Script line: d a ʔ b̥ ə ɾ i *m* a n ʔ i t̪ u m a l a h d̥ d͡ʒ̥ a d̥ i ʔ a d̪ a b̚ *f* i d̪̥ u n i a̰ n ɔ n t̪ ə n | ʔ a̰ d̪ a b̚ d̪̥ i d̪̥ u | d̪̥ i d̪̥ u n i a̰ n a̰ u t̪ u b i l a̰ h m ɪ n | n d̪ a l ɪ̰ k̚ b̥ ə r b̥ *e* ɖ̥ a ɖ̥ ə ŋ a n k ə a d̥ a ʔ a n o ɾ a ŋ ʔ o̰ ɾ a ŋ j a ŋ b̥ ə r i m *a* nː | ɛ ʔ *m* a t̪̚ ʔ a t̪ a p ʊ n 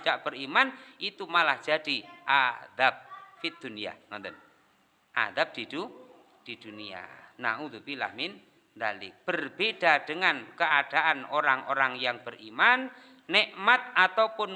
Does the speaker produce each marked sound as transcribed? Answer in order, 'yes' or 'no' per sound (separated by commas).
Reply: yes, yes, yes, yes, yes